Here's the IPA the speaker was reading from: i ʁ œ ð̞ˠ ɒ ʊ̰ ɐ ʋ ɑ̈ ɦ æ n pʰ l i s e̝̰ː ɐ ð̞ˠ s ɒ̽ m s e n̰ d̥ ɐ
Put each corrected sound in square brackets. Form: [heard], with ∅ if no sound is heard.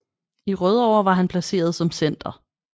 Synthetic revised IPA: i ʁ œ ð̞ˠ ɒ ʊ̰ ɐ ʋ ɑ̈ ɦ æ n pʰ l [æ] s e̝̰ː ɐ ð̞ˠ s ɒ̽ m s e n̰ d̥ ɐ